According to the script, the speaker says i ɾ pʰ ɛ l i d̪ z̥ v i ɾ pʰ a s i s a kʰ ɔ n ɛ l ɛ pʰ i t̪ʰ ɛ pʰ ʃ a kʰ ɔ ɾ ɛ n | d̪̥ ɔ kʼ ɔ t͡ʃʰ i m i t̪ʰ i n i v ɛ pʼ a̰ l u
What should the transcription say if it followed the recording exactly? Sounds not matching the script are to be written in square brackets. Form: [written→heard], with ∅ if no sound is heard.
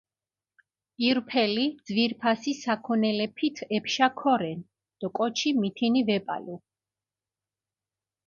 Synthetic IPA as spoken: i ɾ pʰ ɛ l i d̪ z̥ v i ɾ pʰ a s i s a kʰ ɔ n ɛ l ɛ pʰ i t̪ʰ ɛ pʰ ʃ a kʰ ɔ ɾ ɛ n | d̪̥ ɔ kʼ ɔ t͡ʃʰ i m i t̪ʰ i n i v ɛ pʼ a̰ l u